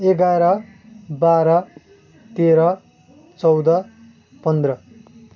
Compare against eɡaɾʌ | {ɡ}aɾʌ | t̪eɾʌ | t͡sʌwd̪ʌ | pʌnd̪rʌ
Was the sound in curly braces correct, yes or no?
no